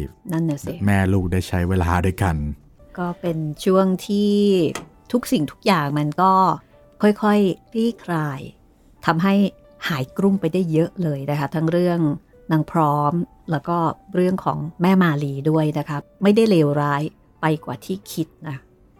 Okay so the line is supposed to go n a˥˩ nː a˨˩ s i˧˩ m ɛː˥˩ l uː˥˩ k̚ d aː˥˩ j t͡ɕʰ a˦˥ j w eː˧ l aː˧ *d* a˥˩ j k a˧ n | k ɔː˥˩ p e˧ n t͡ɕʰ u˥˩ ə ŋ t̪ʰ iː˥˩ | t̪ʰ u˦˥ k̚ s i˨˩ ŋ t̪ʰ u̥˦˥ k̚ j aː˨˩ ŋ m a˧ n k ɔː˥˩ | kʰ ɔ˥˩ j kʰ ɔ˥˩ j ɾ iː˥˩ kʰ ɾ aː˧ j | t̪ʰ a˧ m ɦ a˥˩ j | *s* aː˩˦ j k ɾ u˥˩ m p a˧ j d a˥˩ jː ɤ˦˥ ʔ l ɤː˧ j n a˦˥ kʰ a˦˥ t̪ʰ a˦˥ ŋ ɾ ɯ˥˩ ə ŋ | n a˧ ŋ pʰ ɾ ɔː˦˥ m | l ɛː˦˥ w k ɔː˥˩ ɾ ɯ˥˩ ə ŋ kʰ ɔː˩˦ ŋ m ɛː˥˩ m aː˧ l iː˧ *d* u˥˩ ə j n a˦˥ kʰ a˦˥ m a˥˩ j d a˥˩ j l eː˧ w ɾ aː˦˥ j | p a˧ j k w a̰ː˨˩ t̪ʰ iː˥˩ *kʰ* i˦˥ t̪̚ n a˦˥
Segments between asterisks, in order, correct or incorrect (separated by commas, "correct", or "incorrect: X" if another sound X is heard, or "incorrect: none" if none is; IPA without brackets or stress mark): correct, incorrect: h, correct, correct